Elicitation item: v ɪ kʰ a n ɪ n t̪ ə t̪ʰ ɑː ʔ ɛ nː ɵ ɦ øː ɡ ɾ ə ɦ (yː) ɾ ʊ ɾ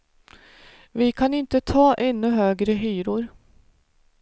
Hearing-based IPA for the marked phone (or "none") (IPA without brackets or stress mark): yː